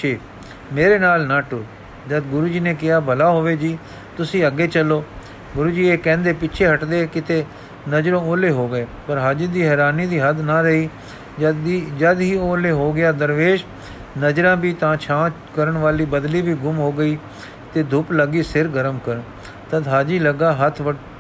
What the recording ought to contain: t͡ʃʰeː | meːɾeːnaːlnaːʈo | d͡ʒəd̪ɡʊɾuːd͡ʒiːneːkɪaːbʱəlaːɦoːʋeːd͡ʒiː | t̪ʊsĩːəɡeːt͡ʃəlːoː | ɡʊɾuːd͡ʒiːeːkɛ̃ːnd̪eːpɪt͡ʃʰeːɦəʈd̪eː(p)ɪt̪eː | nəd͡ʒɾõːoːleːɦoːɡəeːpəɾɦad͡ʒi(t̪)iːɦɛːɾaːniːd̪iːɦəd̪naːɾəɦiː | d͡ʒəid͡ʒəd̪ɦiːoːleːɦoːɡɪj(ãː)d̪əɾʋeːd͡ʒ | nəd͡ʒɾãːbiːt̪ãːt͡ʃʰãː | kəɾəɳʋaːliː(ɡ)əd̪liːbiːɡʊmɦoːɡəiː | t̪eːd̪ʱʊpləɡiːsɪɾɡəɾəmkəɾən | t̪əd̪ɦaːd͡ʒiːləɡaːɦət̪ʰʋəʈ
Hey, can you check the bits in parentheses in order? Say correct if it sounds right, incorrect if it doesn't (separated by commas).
incorrect, incorrect, incorrect, incorrect